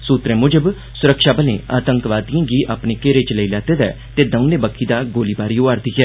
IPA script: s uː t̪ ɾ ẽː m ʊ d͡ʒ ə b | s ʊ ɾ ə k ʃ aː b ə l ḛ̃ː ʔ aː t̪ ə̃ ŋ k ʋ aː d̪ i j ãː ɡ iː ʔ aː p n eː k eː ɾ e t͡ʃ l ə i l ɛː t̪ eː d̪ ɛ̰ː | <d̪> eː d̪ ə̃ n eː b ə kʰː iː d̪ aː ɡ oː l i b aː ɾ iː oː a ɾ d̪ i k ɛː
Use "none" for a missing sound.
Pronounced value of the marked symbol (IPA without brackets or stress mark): t̪